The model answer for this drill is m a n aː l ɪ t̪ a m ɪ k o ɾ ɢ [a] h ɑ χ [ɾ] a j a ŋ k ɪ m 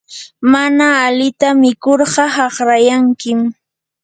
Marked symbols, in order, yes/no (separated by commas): no, yes